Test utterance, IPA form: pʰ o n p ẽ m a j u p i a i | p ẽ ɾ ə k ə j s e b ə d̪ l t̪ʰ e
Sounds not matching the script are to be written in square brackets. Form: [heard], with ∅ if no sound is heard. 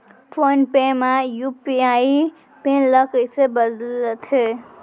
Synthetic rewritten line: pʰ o n p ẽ m a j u p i a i | p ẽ [l] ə k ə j s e b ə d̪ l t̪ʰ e